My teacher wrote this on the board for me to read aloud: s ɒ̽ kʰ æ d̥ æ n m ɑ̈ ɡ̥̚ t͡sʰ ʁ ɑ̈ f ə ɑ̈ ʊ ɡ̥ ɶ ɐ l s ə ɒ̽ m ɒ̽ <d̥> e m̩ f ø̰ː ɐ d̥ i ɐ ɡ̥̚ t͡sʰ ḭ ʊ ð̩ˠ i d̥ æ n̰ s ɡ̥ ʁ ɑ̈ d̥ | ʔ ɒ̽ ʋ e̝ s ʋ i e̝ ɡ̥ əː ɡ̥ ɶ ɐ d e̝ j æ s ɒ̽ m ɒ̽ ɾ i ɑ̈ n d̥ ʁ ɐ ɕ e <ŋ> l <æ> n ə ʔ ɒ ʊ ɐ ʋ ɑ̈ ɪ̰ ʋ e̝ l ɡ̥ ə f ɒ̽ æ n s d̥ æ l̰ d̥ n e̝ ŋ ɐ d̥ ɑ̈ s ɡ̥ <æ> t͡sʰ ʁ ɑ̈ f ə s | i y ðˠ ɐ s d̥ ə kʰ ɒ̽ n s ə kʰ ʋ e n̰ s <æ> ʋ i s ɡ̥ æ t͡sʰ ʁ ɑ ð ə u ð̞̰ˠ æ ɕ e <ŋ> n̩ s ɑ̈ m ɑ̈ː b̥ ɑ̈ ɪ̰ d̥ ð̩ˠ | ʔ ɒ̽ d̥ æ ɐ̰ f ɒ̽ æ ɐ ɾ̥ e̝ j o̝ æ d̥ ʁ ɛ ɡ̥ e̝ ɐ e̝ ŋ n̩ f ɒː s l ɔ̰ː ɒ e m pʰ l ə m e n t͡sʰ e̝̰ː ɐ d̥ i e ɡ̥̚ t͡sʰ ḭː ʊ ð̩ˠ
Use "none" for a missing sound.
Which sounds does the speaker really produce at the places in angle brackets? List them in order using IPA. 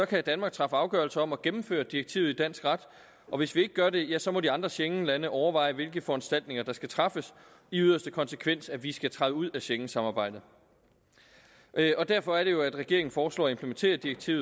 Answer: ɡ̥, ŋ, æ, æ, æ, ŋ

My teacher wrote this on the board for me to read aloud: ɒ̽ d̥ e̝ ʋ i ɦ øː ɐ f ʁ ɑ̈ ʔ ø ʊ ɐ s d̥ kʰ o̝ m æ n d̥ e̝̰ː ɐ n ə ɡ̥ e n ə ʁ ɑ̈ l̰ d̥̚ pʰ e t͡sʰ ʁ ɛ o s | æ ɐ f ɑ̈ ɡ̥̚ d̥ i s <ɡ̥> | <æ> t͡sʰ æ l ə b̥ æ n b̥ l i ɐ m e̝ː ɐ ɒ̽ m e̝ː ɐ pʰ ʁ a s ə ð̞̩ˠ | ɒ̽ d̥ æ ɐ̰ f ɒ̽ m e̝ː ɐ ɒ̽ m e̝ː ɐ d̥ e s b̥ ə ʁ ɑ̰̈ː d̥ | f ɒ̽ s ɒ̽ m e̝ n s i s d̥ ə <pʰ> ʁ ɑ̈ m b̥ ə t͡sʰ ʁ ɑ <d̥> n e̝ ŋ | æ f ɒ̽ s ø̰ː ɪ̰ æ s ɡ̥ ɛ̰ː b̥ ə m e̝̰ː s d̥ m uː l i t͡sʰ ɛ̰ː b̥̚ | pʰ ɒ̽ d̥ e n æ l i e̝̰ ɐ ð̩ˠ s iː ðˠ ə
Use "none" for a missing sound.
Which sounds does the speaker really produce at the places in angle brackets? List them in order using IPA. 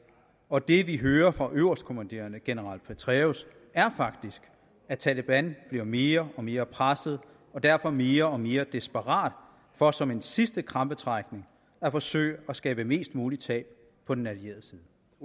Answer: ɡ̥, æ, kʰ, ɡ̥

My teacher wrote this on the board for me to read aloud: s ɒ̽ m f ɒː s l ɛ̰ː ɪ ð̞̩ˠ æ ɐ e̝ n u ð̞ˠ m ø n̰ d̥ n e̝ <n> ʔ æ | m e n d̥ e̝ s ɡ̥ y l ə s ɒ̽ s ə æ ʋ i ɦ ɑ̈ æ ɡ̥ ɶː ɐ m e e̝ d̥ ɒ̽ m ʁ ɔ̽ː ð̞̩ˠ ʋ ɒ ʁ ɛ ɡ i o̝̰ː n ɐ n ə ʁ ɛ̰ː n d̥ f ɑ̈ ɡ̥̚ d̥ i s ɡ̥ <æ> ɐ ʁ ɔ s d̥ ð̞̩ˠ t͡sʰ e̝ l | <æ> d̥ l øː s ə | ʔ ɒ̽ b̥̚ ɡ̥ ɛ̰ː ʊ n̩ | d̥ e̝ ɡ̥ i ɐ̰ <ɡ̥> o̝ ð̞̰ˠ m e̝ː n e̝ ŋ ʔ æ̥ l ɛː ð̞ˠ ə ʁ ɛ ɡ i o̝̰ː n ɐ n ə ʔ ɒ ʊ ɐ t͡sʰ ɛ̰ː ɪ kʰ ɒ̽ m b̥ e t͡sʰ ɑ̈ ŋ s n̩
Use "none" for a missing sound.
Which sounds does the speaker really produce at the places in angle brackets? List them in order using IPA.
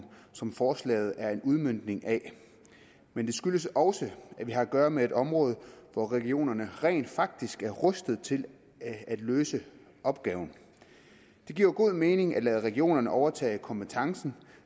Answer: ŋ, æ, æ, ɡ̥

